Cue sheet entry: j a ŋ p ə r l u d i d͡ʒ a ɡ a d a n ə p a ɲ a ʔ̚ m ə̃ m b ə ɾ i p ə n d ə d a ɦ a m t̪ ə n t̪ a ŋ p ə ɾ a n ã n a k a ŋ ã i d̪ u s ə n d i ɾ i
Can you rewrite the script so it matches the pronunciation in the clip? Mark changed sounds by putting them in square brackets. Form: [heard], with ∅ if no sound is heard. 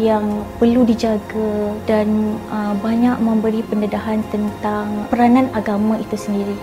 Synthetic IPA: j a ŋ p ə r l u d i d͡ʒ a ɡ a d a n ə [b] a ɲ a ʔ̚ m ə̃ m b ə ɾ i p ə n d ə d a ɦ a [n] t̪ ə n t̪ a ŋ p ə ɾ a n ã n a [ɡ] a [m] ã i [t̪] u s ə n d i ɾ i